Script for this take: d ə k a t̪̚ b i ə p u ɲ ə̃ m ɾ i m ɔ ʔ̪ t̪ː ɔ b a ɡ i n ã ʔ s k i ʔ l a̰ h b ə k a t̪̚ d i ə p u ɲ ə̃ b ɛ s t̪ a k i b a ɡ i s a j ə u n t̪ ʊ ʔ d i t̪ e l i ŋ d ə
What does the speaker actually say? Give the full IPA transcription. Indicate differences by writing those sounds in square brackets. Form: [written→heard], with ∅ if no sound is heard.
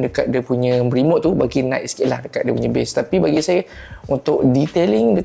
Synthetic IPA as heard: d ə k a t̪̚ [b→d] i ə p u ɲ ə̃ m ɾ i m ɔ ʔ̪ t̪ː [ɔ→u] b a ɡ i n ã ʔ s k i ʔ l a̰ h [b→d] ə k a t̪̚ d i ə p u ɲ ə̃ b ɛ s t̪ a [k→p] i b a ɡ i s a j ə u n t̪ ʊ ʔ d i t̪ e l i ŋ d ə